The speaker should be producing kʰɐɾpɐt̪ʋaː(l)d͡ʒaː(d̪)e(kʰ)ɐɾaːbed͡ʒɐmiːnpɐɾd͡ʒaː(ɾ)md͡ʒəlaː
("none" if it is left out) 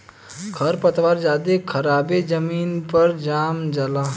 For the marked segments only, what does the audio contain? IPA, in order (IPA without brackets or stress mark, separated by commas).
ɾ, d̪, kʰ, none